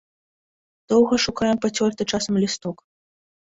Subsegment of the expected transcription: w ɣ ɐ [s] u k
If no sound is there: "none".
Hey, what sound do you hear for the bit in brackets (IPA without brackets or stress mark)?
ʂ